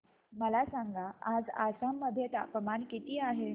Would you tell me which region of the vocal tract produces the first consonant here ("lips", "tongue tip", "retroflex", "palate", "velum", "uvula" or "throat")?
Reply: lips